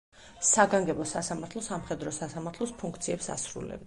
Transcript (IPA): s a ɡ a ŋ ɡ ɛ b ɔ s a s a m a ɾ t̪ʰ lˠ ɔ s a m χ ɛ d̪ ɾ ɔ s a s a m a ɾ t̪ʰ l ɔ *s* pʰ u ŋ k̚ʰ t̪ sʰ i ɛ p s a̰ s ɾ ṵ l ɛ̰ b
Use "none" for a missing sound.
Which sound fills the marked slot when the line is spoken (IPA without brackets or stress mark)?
s